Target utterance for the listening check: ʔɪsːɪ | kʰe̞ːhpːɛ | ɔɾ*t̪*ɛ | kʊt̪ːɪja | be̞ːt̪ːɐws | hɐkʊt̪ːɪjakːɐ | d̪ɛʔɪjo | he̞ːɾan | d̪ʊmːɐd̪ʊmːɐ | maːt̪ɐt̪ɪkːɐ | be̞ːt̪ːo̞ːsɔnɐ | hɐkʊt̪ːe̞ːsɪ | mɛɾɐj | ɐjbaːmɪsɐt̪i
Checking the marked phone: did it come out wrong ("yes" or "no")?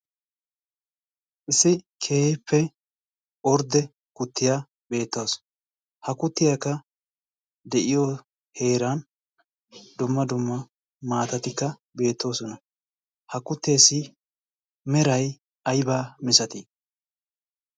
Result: yes